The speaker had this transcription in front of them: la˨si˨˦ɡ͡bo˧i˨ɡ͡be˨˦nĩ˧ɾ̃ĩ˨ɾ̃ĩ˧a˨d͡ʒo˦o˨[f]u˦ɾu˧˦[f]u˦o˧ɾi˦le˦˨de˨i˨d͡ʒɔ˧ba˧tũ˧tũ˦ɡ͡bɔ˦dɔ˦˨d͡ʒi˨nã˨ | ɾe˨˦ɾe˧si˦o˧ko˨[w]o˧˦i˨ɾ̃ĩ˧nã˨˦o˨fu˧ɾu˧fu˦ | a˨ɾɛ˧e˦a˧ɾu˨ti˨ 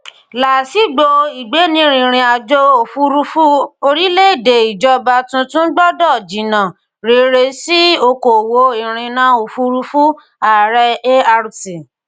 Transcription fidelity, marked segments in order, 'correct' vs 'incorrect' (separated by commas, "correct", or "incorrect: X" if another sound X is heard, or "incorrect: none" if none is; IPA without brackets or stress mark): correct, correct, correct